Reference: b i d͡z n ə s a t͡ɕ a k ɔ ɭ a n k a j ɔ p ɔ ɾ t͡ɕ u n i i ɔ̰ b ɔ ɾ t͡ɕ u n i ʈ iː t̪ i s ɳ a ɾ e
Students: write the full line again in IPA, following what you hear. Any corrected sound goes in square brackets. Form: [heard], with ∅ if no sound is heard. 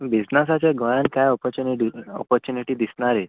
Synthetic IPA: b i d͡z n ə s a t͡ɕ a [ɡ] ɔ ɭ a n k a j ɔ p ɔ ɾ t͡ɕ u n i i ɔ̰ [p] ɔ ɾ t͡ɕ u n i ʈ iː [d̪] i s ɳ a ɾ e